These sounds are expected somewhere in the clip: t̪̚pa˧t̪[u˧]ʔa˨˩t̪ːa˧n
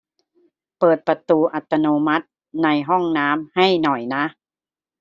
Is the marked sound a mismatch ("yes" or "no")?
yes